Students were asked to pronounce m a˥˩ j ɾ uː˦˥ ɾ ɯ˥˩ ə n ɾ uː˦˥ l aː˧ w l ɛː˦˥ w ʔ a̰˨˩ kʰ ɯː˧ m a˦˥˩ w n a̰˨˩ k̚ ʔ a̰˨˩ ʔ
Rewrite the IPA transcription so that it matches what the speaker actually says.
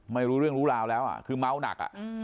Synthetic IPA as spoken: m a˥˩ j ɾ uː˦˥ ɾ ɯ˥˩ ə ŋ ɾ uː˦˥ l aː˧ w l ɛː˦˥ w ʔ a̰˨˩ kʰ ɯː˧ m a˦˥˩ w n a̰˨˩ k̚ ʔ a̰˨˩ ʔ

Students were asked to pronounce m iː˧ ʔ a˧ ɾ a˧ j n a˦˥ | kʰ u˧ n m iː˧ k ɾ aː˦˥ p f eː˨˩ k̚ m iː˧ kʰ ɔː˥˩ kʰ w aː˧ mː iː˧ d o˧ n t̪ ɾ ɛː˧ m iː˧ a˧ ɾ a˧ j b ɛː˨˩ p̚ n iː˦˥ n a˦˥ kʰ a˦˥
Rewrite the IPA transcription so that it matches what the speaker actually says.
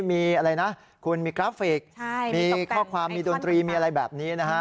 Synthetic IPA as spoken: m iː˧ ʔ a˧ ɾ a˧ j n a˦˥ | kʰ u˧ n m iː˧ k ɾ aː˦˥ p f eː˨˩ k̚ m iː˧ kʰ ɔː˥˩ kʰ w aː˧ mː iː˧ d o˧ n t̪ ɾ iː˧ m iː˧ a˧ ɾ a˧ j b ɛː˨˩ p̚ n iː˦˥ n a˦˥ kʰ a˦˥

